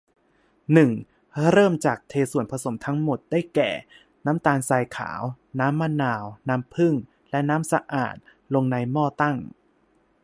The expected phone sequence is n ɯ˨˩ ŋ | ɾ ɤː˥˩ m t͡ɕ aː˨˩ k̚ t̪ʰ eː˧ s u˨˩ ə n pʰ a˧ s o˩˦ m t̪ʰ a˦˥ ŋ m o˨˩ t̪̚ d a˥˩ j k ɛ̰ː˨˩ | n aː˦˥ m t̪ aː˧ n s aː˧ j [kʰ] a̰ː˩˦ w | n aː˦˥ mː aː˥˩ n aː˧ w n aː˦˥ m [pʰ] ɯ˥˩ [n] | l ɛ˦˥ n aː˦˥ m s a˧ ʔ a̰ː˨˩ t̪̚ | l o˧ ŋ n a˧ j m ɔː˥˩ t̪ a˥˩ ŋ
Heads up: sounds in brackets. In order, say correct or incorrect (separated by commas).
correct, correct, incorrect